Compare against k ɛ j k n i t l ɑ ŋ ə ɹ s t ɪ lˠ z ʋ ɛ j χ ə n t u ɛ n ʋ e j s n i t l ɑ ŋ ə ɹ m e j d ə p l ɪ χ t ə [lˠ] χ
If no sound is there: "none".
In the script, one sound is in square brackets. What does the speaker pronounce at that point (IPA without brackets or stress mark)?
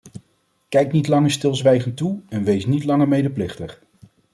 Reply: none